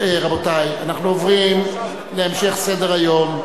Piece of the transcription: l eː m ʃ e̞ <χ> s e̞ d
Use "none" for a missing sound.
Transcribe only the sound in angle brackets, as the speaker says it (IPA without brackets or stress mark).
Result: χ